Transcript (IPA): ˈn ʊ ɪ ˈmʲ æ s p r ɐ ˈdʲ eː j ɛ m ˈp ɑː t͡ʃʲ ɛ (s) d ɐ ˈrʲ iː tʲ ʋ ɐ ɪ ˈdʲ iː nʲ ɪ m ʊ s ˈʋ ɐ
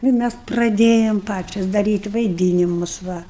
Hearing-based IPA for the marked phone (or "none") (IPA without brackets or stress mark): s